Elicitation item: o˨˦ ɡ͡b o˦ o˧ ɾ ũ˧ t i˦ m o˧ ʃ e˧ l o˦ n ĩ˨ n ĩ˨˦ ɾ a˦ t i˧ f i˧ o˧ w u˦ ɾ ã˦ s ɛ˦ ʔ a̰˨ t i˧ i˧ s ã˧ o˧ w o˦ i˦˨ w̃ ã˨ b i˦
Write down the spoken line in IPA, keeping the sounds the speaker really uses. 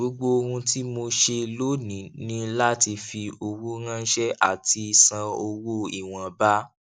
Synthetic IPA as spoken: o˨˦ ɡ͡b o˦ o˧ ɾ ũ˧ t i˦ m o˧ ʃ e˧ l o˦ n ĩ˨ n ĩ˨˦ l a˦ t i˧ f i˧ o˧ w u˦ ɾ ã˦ ʃ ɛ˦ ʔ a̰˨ t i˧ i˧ s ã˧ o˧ w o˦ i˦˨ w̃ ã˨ b a˦